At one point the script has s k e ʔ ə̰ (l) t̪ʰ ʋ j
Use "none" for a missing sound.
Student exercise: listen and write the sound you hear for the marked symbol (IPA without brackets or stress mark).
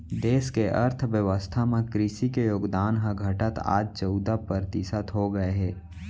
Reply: ɾ